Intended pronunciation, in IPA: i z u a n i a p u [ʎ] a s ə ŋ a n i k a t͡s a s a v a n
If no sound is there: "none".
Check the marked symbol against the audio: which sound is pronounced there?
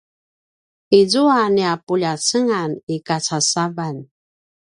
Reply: ʎ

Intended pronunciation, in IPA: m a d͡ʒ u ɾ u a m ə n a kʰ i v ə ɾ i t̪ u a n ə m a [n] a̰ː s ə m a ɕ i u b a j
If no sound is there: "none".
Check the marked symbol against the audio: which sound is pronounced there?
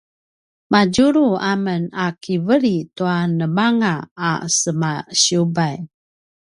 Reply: ŋ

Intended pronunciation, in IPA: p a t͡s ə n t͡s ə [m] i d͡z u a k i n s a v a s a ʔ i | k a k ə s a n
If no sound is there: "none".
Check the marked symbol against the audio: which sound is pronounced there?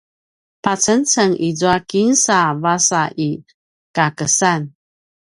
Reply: ŋ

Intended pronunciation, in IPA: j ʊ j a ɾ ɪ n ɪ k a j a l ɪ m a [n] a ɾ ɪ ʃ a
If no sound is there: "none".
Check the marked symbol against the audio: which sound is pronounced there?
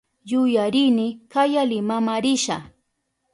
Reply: m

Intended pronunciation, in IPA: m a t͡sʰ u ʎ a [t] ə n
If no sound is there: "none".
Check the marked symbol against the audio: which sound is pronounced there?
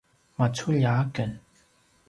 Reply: k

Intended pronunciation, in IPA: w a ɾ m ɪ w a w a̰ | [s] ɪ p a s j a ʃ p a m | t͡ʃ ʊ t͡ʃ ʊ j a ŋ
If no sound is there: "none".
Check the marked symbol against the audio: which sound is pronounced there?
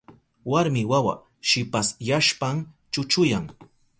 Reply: ʃ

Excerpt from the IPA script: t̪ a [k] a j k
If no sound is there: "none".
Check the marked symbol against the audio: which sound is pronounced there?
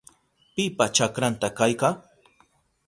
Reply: k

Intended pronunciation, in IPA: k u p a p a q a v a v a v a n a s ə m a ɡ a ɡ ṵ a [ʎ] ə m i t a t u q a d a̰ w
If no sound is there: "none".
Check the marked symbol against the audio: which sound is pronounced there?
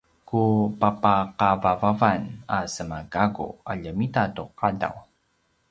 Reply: ʎ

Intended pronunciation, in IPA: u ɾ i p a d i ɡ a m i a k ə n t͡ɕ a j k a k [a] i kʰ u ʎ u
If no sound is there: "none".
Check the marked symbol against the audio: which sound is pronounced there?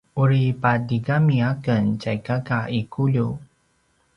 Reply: a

